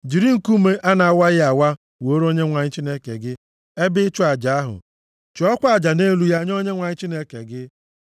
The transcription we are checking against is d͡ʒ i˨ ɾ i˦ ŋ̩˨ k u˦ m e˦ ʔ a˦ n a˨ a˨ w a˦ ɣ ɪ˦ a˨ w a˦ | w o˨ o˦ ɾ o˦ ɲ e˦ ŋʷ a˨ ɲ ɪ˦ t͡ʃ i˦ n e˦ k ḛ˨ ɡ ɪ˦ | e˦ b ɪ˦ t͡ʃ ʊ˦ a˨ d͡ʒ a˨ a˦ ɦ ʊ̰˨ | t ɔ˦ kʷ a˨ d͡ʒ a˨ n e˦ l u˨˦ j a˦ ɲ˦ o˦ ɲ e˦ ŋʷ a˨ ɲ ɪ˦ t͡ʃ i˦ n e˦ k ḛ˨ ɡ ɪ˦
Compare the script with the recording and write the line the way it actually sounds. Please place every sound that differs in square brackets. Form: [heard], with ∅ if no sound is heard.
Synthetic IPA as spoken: d͡ʒ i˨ ɾ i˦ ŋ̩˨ k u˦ m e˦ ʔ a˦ n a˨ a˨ w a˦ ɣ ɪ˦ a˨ w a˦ | w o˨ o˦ ɾ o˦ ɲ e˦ ŋʷ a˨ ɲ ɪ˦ t͡ʃ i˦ n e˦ k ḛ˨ ɡ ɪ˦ | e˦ b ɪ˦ t͡ʃ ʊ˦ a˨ d͡ʒ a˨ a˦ ɦ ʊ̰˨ | [t͡ʃ] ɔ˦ kʷ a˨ d͡ʒ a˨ n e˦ l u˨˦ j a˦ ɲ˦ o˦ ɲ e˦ ŋʷ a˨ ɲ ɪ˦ t͡ʃ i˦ n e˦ k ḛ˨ ɡ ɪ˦